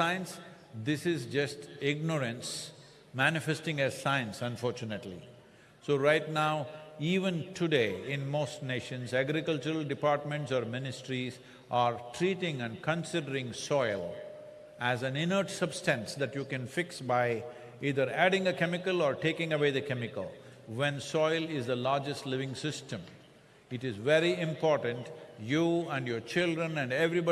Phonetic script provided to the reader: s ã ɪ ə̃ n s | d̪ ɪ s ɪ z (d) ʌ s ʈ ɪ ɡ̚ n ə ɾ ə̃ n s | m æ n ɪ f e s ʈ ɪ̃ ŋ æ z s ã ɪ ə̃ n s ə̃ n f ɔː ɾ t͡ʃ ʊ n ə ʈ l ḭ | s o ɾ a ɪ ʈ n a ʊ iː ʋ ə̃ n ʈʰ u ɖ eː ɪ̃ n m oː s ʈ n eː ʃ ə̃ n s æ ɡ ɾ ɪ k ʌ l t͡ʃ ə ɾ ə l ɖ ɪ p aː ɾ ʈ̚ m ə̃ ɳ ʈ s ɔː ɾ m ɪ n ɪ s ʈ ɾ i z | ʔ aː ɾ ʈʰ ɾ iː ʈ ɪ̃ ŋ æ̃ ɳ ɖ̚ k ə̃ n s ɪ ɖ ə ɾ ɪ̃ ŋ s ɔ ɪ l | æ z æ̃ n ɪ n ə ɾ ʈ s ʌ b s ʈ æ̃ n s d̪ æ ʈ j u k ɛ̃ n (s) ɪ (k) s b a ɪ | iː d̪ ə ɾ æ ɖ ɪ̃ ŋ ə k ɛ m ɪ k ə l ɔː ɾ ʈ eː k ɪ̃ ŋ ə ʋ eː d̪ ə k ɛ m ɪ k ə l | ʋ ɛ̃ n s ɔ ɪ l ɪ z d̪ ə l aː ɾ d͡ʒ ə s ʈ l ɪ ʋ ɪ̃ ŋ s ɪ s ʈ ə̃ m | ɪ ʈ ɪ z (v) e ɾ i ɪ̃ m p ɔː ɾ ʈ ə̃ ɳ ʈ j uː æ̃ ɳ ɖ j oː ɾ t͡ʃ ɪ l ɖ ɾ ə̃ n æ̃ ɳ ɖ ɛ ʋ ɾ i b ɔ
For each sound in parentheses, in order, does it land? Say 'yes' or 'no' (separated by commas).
no, no, yes, no